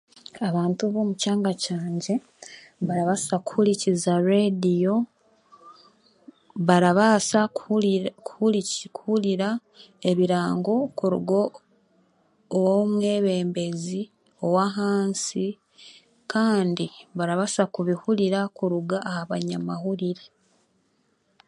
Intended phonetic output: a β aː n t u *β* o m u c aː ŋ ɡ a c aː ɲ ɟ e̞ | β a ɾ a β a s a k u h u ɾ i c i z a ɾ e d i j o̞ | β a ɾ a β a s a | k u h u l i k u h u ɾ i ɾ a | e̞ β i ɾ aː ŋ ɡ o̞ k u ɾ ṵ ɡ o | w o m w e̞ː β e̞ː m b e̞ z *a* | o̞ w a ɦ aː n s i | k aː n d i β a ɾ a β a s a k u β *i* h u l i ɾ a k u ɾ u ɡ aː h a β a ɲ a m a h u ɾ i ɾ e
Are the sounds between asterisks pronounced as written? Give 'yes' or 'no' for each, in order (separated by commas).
yes, no, yes